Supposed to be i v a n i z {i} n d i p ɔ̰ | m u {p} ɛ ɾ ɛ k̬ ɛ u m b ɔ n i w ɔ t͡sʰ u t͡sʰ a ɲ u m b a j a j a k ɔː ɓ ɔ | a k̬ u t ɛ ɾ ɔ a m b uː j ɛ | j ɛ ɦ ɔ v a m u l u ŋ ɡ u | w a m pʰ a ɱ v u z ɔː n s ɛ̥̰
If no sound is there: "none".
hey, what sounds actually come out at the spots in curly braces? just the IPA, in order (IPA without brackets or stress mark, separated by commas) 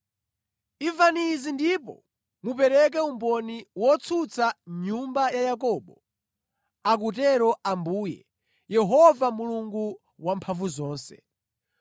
i, p